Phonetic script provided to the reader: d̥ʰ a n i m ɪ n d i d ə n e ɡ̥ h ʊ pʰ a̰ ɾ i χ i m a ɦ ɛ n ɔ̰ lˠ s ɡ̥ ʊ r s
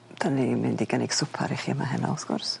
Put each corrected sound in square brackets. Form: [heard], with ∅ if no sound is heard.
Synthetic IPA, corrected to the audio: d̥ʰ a n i m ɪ n d i [ɡ] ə n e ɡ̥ [s] ʊ pʰ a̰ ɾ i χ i m a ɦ ɛ n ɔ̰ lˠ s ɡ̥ ʊ r s